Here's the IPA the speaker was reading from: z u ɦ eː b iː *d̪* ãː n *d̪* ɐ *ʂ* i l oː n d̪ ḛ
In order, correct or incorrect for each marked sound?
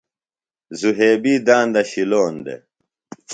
correct, correct, incorrect: ɕ

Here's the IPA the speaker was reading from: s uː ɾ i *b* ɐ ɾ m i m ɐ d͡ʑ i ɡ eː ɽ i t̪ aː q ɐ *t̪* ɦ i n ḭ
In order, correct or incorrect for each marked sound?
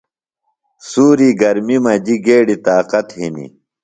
incorrect: ɡ, correct

